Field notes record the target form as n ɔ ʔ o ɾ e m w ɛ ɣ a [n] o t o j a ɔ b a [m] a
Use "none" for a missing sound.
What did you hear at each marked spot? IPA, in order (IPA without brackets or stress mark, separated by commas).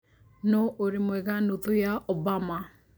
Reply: n, m